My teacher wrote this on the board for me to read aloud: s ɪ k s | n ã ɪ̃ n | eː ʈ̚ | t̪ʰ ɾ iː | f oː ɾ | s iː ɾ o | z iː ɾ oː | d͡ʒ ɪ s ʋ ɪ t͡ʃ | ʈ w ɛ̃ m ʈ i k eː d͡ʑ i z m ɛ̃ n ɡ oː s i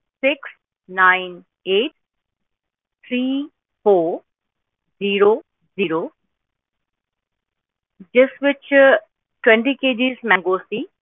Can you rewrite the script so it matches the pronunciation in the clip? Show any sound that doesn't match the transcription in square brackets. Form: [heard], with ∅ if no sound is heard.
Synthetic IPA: s ɪ k s | n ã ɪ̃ n | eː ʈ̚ | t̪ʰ ɾ iː | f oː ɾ | [z] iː ɾ o | z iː ɾ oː | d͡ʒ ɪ s ʋ ɪ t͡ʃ | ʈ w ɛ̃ [ɳ] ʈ i k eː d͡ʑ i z m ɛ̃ [ŋ] ɡ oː s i